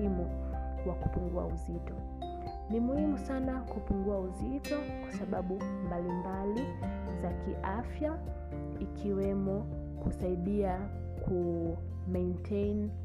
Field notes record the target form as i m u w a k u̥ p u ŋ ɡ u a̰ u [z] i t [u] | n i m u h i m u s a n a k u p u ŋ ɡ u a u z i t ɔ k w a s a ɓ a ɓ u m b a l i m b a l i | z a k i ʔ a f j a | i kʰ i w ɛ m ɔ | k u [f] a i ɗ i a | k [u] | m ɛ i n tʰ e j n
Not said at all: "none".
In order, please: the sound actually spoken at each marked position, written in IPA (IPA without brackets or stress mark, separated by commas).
z, ɔ, s, u